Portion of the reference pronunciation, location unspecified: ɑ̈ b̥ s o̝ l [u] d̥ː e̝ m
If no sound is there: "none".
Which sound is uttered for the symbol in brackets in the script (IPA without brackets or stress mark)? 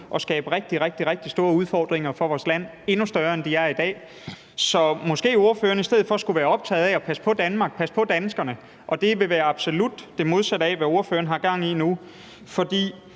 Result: u